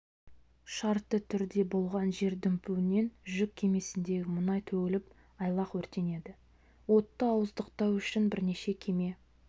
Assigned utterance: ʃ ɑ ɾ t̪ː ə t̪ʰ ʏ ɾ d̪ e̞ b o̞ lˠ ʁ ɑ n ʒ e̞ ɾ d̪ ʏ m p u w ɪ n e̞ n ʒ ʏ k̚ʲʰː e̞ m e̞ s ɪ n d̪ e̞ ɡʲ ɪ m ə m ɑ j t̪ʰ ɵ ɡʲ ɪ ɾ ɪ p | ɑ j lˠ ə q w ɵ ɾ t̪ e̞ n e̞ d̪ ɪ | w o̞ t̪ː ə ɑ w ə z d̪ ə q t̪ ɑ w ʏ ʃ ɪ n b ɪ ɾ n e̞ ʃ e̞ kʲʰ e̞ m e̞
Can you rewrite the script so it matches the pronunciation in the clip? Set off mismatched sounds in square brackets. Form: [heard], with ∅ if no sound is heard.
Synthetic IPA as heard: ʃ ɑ ɾ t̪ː ə t̪ʰ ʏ ɾ d̪ e̞ b o̞ lˠ ʁ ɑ n ʒ e̞ ɾ d̪ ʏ m p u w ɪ n e̞ n ʒ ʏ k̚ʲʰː e̞ m e̞ s ɪ n d̪ e̞ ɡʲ ɪ m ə [n] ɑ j t̪ʰ ɵ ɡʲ ɪ [l] ɪ p | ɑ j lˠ [ɑ] q w ɵ ɾ t̪ e̞ n e̞ d̪ ɪ | w o̞ t̪ː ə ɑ w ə z d̪ ə q t̪ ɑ w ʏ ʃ ɪ n b ɪ ɾ n e̞ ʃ e̞ kʲʰ e̞ m e̞